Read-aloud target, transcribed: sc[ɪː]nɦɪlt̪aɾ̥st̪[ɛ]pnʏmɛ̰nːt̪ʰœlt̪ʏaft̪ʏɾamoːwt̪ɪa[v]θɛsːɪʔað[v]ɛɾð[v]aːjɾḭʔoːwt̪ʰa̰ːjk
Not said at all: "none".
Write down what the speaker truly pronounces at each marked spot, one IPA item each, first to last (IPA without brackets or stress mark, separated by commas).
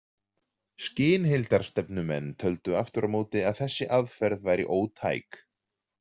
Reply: ɪː, ɛ, ð, f, v